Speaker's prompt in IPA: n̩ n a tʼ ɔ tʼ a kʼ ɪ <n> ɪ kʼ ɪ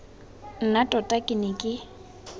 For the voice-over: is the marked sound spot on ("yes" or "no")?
yes